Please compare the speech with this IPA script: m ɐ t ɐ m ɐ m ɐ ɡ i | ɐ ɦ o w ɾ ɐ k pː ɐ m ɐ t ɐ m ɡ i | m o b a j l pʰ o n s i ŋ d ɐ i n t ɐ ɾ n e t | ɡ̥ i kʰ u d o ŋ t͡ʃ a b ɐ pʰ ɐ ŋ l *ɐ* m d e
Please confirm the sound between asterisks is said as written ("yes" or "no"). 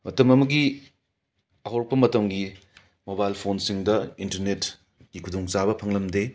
yes